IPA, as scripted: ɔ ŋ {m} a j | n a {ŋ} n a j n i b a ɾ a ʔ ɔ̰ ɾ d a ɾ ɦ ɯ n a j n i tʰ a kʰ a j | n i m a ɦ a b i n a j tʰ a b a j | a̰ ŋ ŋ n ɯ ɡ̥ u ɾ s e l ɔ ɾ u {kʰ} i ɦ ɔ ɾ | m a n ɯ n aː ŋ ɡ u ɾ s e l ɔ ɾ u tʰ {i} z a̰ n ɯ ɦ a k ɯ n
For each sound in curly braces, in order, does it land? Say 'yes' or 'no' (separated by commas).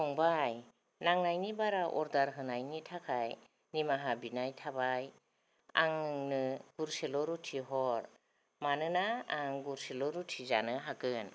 no, yes, no, yes